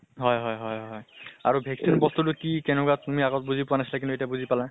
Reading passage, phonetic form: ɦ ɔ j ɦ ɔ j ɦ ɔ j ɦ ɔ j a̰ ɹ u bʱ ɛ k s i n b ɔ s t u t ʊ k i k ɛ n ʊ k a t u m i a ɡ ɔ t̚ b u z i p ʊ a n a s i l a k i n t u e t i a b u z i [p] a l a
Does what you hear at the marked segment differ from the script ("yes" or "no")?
no